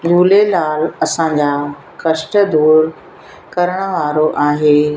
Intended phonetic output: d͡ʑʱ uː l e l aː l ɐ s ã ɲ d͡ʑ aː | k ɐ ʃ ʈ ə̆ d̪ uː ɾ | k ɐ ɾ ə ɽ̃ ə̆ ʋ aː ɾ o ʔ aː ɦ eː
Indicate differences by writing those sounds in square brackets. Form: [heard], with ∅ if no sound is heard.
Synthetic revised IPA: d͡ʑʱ uː l e l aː l ɐ s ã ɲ d͡ʑ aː | k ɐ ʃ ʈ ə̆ d̪ uː ɾ | k ɐ ɾ ə ɽ̃ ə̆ ʋ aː ɾ o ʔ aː ɦ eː